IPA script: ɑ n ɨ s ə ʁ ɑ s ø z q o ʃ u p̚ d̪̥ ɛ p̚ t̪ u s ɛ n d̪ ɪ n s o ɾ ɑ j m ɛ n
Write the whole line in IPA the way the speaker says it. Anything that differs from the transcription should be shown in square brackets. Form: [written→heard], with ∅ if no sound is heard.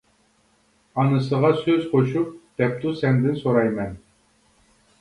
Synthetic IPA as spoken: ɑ n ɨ s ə ʁ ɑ s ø z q o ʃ u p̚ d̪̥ ɛ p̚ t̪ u s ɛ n d̪ ɪ n s o ɾ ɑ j m ɛ n